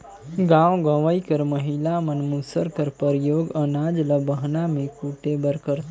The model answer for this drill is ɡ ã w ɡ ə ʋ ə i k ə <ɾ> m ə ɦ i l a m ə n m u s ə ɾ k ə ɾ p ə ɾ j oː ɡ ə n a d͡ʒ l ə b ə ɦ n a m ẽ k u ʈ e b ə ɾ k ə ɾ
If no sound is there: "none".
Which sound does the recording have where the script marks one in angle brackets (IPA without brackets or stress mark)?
ɾ